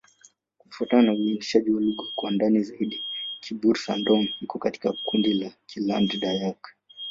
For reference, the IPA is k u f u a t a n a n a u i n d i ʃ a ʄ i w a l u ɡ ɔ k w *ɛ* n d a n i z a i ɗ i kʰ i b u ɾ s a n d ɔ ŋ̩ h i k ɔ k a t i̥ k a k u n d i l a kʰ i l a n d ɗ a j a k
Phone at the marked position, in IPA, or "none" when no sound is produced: a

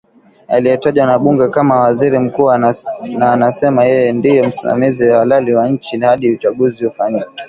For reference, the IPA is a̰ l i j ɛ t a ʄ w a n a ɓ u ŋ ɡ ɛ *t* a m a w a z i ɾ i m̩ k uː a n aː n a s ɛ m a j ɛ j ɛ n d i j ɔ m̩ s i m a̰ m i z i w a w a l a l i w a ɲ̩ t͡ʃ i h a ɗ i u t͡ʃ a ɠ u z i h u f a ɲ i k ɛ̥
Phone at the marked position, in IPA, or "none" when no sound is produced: k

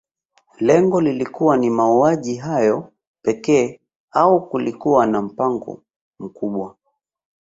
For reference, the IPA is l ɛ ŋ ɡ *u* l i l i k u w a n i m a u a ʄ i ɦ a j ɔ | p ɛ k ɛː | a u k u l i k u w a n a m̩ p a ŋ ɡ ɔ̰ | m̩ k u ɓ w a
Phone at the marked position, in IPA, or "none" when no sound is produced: ɔ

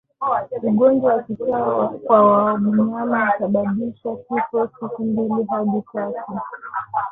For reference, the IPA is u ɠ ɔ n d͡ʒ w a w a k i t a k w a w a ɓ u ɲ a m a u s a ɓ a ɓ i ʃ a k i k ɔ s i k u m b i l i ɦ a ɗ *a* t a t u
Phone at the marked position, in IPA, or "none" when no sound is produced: i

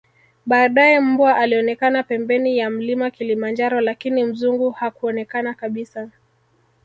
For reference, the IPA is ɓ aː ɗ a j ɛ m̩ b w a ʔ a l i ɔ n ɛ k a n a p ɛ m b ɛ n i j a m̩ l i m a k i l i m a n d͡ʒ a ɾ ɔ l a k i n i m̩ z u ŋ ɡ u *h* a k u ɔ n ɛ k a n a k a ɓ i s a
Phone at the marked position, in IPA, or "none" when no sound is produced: h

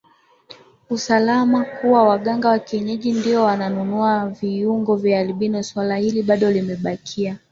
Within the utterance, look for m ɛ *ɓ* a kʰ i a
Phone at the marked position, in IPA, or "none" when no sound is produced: ɓ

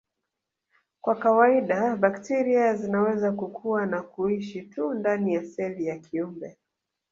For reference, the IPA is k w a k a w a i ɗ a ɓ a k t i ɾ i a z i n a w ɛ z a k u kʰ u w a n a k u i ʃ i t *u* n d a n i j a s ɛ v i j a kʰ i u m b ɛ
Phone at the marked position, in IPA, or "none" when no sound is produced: u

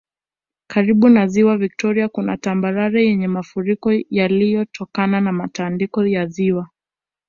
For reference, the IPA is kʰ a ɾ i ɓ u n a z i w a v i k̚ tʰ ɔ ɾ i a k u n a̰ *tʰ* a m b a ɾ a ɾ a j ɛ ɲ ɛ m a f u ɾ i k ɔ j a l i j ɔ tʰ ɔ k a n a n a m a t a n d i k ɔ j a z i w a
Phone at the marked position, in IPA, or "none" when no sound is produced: t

